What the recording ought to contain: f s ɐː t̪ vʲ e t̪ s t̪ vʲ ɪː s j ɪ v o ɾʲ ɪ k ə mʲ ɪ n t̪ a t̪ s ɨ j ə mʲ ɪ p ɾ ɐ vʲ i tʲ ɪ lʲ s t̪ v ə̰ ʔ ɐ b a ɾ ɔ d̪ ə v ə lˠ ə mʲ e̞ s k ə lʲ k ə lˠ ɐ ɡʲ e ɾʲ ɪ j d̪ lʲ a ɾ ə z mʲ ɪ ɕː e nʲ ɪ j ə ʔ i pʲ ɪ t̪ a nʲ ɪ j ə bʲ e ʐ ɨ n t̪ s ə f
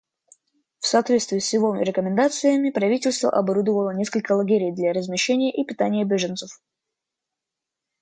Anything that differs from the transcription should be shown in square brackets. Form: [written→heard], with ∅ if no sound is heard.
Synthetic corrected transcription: f s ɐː t̪ vʲ e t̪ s t̪ vʲ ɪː s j ɪ v o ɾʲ ɪ k ə mʲ ɪ n [t̪→d̪] a t̪ s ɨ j ə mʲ ɪ p ɾ ɐ vʲ i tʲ ɪ lʲ s t̪ v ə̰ ʔ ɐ b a ɾ [ɔ→u] d̪ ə v ə lˠ ə [mʲ→nʲ] e̞ s k ə lʲ k ə lˠ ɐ ɡʲ e ɾʲ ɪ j d̪ lʲ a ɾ ə z mʲ ɪ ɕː e nʲ ɪ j ə ʔ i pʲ ɪ t̪ a nʲ ɪ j ə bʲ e ʐ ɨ n t̪ s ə f